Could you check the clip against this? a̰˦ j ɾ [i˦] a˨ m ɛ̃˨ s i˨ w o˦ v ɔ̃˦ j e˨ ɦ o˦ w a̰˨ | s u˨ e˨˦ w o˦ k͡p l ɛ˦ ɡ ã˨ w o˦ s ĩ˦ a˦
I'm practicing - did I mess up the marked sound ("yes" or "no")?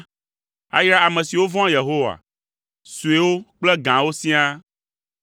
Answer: yes